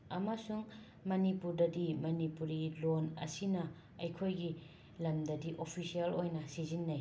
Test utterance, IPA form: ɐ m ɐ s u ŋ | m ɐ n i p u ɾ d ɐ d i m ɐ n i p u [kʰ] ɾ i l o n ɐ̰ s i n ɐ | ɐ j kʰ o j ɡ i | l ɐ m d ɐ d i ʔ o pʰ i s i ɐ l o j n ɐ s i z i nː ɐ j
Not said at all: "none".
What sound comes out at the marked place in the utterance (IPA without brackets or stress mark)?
none